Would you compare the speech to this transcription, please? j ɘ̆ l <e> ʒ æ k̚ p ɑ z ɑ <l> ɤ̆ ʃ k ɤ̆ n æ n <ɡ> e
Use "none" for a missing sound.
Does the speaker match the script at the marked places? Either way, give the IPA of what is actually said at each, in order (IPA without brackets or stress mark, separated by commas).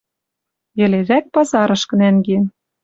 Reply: e, ɾ, ɡ